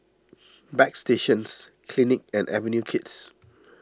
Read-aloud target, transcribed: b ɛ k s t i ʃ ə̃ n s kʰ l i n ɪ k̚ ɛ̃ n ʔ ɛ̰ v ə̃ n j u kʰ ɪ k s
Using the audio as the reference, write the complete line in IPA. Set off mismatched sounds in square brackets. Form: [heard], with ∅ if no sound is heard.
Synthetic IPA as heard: b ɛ k s t [e] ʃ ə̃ n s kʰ l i n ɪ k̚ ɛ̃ n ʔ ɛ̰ v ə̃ n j u kʰ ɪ [t] s

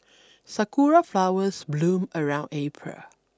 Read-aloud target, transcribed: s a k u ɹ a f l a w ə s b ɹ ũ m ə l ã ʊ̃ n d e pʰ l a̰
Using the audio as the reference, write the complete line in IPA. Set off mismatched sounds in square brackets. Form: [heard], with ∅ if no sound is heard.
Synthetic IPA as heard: s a k u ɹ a f l a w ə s b [l] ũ m ə [ɹ] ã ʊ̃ n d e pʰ [ɹ] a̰

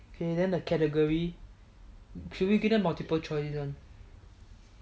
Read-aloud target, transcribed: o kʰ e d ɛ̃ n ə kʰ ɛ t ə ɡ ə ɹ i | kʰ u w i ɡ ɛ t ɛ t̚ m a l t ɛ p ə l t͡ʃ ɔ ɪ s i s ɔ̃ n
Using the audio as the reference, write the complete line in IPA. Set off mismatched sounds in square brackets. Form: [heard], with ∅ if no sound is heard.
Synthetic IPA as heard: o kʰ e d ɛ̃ n ə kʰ ɛ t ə ɡ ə ɹ i | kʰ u w i ɡ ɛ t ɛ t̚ m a l t [i] p ə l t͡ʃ ɔ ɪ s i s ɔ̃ n

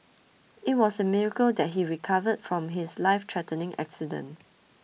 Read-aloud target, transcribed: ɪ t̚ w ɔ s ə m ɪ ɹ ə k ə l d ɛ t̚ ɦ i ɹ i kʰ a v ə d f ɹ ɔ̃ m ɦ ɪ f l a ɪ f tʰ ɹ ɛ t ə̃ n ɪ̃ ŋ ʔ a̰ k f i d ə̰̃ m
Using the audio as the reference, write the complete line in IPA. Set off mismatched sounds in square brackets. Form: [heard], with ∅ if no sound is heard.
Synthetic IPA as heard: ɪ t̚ w ɔ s ə m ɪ ɹ ə k ə l d ɛ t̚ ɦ i ɹ i kʰ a v ə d f ɹ ɔ̃ m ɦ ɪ [s] l a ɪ f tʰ ɹ ɛ t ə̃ n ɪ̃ ŋ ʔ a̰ k [s] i d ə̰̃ [n]

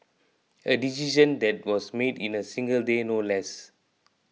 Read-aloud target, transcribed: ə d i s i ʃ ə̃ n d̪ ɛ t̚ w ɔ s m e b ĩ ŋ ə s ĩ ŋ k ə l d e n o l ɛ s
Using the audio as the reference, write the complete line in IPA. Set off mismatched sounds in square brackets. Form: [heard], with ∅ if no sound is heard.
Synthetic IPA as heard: ə d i s i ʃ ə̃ n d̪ ɛ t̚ w ɔ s m e [d] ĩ [n] ə s ĩ ŋ [ɡ] ə l d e n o l ɛ s

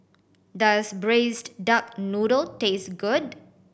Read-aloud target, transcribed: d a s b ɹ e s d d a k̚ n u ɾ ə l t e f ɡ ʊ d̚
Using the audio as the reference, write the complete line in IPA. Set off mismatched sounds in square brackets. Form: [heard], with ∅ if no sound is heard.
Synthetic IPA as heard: d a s b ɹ e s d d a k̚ n u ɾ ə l t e [s] ɡ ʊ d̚

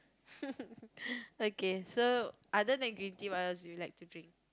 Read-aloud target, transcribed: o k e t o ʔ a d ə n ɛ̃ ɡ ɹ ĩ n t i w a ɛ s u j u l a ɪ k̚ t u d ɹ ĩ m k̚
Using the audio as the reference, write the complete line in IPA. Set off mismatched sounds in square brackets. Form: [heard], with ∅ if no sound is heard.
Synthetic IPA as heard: o k e [s] o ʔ a d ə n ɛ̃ ɡ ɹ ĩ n t i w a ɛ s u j u l a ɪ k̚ t u d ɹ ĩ [ŋ] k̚

